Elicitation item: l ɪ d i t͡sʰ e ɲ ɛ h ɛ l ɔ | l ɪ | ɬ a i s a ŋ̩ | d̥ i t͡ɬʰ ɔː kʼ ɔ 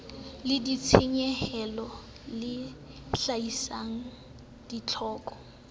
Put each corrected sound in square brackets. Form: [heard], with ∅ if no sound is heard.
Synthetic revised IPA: l ɪ d i t͡sʰ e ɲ ɛ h ɛ l ɔ | l ɪ | ɬ a i s a ŋ̩ | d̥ i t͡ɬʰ ɔː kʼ ɔ